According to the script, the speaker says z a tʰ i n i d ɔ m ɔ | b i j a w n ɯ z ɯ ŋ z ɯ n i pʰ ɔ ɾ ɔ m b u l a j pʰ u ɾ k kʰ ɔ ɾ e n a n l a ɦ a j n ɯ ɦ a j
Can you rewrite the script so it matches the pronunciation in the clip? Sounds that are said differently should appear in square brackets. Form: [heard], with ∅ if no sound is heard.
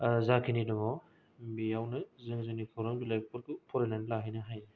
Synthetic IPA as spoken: z a [kʰ] i n i d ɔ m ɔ | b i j a w n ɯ z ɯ ŋ z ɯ n i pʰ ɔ ɾ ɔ m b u l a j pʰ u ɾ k [pʰ] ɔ ɾ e n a n l a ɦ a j n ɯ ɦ a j